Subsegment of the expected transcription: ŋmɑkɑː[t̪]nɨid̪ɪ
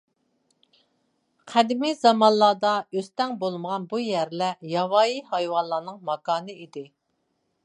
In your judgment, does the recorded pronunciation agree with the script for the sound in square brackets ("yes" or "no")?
no